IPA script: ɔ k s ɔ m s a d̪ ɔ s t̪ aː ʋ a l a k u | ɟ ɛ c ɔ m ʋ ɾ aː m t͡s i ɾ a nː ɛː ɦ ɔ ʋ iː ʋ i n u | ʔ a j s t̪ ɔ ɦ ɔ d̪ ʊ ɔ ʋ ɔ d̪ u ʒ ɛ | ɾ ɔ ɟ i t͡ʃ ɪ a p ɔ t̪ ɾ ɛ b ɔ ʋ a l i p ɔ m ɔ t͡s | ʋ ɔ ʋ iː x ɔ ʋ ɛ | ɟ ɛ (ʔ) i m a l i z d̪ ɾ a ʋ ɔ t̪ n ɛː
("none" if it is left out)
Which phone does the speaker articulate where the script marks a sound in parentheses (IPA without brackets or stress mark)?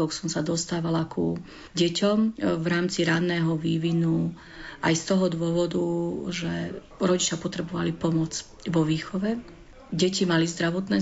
c